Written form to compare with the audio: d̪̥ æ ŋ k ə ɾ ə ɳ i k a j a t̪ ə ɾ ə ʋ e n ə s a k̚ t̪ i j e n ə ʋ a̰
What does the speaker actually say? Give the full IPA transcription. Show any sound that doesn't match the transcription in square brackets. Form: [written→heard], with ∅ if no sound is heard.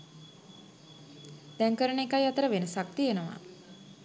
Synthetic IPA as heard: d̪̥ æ ŋ k ə ɾ ə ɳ [i→e] k a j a t̪ ə ɾ ə ʋ e n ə s a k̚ t̪ i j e n ə ʋ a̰